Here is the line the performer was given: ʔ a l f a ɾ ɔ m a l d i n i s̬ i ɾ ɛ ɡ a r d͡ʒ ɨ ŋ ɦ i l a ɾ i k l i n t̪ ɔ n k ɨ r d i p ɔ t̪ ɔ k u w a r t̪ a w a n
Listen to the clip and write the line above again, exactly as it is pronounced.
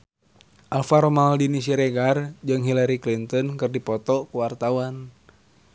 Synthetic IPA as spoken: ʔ a l f a ɾ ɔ m a l d i n i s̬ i ɾ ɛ ɡ a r d͡ʒ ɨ ŋ ɦ i l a ɾ i k l i n t̪ ɔ n k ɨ r d i p ɔ t̪ ɔ k u w a r t̪ a w a n